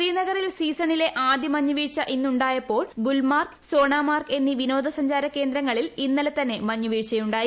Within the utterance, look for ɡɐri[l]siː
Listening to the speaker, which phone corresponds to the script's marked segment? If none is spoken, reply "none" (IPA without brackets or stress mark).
l